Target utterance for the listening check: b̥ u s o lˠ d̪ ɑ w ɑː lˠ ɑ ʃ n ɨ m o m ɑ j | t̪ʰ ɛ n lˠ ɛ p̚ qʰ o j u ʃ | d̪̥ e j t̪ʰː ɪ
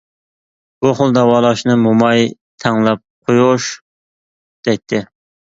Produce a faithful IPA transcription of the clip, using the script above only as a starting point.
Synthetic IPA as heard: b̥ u χ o lˠ d̪ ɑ w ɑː lˠ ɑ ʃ n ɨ m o m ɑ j | t̪ʰ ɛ ŋ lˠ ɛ p̚ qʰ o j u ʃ | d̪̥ ɛ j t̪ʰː ɪ